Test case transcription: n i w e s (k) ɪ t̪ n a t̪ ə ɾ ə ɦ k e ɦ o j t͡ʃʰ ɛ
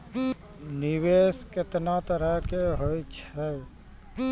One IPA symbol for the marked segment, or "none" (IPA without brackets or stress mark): k